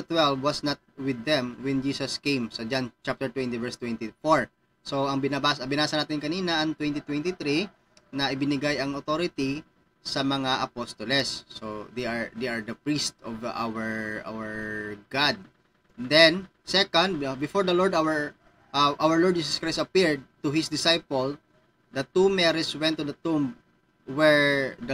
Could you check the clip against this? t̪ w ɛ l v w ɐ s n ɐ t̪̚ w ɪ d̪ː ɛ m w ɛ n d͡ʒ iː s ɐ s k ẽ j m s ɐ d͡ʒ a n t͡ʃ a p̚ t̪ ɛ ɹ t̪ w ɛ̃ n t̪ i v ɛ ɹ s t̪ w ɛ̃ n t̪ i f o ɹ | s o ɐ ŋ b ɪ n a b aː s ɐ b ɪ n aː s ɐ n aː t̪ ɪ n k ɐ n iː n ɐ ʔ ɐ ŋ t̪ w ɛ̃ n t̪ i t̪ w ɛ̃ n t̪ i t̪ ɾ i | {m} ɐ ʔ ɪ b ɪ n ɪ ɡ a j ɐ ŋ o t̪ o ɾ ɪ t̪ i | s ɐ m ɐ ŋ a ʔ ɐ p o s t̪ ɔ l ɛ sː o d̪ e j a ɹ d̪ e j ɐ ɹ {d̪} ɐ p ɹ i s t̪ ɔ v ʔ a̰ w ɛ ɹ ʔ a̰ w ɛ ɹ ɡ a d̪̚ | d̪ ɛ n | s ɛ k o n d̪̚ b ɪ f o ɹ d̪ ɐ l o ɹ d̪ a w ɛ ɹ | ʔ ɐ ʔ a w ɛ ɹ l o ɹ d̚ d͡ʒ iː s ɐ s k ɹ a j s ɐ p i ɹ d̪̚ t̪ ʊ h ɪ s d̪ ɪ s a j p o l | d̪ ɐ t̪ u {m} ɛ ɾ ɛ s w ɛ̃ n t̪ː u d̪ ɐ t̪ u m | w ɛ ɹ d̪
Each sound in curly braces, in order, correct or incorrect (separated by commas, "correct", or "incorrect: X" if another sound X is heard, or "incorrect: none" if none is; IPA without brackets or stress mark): incorrect: n, correct, correct